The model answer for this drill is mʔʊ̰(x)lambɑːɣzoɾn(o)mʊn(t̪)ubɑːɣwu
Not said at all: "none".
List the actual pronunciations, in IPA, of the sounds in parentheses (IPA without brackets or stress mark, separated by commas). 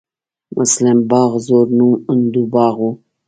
s, u, d̪